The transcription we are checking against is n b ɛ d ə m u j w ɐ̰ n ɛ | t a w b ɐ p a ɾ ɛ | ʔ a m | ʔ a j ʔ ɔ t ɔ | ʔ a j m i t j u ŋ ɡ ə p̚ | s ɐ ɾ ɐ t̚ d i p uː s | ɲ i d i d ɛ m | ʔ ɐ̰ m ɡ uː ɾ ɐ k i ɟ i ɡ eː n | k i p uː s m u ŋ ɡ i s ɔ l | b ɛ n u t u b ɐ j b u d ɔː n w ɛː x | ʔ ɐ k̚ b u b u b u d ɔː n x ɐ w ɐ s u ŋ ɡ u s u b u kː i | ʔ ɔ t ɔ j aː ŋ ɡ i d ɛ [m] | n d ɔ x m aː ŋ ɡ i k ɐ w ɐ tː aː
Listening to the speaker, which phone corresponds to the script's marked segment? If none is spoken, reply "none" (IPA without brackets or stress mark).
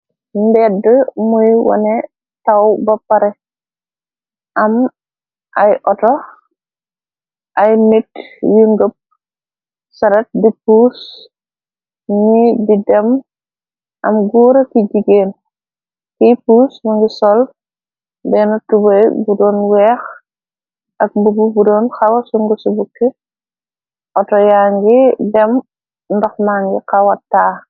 m